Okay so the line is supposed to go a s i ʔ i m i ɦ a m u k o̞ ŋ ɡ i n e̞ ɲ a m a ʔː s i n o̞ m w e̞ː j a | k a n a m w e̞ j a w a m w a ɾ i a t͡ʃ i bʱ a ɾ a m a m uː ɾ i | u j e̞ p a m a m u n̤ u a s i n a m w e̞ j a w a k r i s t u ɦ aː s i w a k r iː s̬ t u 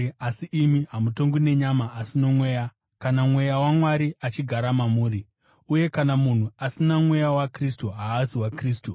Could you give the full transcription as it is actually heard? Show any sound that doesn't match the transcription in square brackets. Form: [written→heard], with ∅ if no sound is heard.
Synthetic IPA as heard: a s i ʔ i m i ɦ a m u [k→t] o̞ ŋ ɡ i n e̞ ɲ a m a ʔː s i n o̞ m w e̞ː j a | k a n a m w e̞ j a w a m w a ɾ i a t͡ʃ i [bʱ→ɡʱ] a ɾ a m a m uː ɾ i | u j e̞ [p→k] a [m→n] a m u n̤ u a s i n a m w e̞ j a w a k r i s t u ɦ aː s i w a k r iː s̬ t u